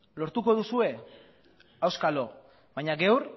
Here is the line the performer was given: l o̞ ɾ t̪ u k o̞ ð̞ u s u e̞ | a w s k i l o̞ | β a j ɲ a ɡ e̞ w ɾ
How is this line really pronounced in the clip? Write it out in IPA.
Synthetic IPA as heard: l o̞ ɾ t̪ u k o̞ ð̞ u s u e̞ | a w s k a l o̞ | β a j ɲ a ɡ e̞ w ɾ